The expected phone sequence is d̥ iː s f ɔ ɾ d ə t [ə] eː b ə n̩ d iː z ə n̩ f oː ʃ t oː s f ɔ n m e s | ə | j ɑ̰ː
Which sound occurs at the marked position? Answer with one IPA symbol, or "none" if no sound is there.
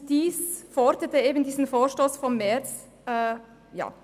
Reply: ə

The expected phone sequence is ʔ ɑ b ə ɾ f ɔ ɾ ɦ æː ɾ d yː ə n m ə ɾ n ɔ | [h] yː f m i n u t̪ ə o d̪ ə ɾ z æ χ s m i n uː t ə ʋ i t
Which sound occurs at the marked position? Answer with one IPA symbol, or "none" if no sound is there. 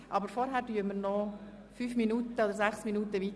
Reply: f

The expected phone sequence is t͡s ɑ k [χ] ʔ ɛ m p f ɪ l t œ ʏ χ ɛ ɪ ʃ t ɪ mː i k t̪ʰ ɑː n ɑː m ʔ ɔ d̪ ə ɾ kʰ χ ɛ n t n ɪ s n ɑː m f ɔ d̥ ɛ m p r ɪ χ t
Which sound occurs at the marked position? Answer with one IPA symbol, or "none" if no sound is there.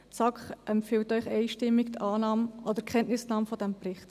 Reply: χ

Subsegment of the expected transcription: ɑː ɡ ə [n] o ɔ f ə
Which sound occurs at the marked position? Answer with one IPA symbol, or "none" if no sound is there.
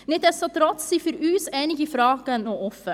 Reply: n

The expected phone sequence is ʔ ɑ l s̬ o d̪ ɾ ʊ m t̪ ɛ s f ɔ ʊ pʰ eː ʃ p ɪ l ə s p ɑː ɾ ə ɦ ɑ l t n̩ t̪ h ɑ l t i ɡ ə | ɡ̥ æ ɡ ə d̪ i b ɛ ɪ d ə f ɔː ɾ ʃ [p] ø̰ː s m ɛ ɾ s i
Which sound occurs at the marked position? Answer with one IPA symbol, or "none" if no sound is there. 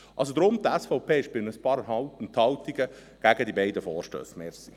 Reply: t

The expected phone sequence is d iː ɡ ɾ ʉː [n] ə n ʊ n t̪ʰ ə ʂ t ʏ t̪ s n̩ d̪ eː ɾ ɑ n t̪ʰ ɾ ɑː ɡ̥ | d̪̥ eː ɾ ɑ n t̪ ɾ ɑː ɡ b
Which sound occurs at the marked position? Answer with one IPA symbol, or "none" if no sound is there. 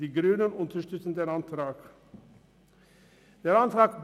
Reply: n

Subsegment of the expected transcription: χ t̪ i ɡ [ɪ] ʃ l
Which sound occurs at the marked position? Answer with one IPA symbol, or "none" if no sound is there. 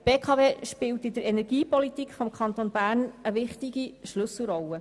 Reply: i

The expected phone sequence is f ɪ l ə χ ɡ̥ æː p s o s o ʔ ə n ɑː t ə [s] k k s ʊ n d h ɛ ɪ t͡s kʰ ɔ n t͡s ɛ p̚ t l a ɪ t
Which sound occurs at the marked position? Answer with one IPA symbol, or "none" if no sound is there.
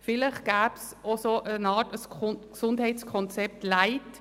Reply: s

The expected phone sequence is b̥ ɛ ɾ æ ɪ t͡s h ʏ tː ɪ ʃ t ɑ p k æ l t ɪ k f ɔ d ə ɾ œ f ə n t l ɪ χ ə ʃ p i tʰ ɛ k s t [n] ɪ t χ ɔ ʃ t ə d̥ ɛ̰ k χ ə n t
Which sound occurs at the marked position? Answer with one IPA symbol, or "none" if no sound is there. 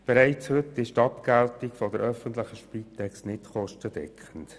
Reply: n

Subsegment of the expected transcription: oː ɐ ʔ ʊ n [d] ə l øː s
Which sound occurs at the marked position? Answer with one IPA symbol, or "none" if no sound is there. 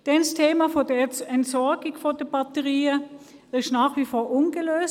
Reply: ɡ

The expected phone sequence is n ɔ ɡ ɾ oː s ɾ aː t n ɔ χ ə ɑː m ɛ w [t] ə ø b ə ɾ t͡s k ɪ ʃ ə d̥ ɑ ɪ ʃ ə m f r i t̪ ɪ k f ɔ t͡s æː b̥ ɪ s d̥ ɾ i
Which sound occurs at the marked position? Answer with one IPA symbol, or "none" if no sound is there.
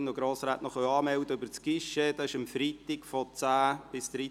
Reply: d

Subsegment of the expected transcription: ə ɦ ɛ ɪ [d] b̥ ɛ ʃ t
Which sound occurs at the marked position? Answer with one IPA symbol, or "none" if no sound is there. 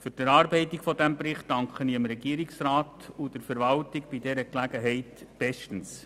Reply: t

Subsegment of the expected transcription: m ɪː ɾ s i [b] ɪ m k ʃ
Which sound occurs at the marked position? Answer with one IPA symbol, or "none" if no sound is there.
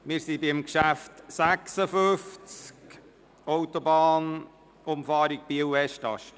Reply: b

